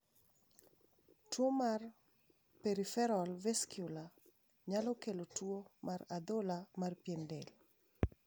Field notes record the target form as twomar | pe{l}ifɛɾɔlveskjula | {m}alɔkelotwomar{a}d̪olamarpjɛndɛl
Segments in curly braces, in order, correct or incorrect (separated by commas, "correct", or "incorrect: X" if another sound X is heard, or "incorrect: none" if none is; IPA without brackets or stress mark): incorrect: ɾ, incorrect: ɲ, correct